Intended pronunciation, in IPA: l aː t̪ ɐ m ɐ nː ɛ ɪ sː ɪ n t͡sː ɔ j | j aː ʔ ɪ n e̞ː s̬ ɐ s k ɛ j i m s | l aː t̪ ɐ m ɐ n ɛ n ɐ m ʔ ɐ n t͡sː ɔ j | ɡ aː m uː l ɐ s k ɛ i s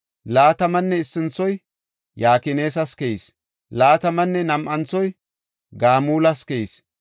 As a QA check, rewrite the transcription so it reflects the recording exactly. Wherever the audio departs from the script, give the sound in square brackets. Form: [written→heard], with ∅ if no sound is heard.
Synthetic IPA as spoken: l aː t̪ ɐ m ɐ nː ɛ ɪ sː ɪ n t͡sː ɔ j | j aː [ʔ→k] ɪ n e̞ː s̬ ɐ s k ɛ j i [m→∅] s | l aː t̪ ɐ m ɐ [n→nː] ɛ n ɐ m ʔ ɐ n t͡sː ɔ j | ɡ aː m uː l ɐ s k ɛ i s